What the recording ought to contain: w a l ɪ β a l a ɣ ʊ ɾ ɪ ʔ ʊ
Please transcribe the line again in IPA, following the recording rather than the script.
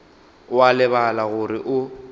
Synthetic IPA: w a l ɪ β a l a ɣ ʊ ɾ ɪ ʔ ʊ